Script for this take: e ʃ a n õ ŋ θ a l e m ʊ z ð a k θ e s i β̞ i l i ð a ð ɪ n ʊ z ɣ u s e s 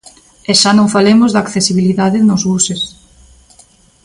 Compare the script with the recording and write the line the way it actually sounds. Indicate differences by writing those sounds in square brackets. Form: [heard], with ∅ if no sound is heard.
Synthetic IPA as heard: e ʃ a n õ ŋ [f] a l e m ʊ z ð a k θ e s i β̞ i l i ð a ð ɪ n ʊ z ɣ u s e s

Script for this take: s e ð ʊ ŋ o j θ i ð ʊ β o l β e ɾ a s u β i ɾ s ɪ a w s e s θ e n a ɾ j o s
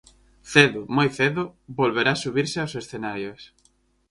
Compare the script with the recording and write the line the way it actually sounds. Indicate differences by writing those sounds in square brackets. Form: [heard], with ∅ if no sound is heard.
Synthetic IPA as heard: [θ] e ð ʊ [m] o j θ [e] ð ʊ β o l β e ɾ a s u β i ɾ s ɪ a w s e s θ e n a ɾ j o s

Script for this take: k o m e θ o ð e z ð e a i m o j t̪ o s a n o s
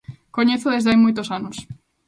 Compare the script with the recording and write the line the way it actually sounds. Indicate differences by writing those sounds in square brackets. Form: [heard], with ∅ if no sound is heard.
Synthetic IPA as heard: k o [ɲ] e θ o ð e z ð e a [j] m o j t̪ o s a n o s

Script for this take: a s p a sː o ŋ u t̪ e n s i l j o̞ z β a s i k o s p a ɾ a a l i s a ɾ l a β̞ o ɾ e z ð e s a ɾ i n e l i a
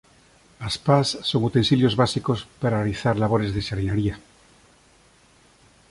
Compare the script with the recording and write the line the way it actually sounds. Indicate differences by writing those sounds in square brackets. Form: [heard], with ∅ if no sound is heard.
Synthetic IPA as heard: a s p a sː o ŋ u t̪ e n s i l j o̞ z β a s i k o s p a ɾ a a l i [θ] a ɾ l a β̞ o ɾ e z ð e s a ɾ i n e [ɾ] i a

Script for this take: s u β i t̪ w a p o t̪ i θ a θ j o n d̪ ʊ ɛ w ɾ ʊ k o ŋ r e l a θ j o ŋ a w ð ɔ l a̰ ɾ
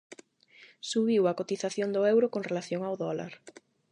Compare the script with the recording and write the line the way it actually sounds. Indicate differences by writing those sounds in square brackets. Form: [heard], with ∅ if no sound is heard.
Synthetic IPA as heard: s u β i [∅] w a [k] o t̪ i θ a θ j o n d̪ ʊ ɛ w ɾ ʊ k o ŋ r e l a θ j o ŋ a w ð ɔ l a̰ ɾ

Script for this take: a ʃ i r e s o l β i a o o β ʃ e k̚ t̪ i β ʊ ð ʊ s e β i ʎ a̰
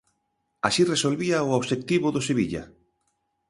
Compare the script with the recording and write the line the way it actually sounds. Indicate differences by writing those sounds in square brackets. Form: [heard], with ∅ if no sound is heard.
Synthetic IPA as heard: a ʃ i r e s o l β i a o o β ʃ e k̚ t̪ i β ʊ ð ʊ s e β i ʎ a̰

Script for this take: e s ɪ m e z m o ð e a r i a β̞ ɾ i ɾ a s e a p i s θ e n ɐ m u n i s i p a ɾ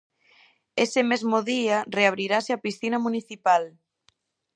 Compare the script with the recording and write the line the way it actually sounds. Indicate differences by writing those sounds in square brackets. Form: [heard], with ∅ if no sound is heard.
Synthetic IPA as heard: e s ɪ m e z m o ð [i] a r [e] a β̞ ɾ i ɾ a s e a p i s θ [i] n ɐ m u n i [θ] i p a [l]

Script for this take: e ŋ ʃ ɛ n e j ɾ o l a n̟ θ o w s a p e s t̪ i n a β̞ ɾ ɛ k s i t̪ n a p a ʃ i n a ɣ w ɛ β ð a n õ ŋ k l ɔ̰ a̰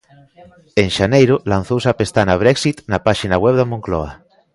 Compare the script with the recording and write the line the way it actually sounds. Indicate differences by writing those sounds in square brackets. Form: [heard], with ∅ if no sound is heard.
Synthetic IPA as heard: e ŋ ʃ [a] n e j ɾ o l a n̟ θ o w s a p e s t̪ [a] n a β̞ ɾ ɛ k s i t̪ n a p a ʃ i n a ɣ w ɛ β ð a [m] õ ŋ k l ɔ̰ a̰

